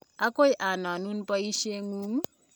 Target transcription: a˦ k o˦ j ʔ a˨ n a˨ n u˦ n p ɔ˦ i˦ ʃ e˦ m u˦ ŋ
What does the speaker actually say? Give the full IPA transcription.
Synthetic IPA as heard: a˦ k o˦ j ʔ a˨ n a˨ n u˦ n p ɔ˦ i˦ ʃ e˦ ŋ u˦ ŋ